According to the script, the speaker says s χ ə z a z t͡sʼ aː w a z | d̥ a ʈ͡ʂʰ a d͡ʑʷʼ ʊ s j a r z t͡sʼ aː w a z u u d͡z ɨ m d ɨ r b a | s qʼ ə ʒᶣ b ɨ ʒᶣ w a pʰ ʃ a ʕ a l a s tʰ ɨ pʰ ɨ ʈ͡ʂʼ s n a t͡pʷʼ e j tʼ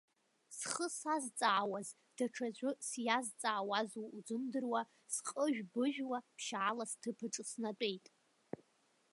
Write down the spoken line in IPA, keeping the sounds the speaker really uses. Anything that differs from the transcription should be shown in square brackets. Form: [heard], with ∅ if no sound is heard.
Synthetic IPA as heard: s χ ə [s] a z t͡sʼ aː w a z | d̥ a ʈ͡ʂʰ a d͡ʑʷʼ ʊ s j a [∅] z t͡sʼ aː w a z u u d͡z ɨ m d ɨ r [w] a | s qʼ ə ʒᶣ b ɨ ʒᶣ w a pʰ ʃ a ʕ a l a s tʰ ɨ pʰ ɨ ʈ͡ʂʼ s n a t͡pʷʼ e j tʼ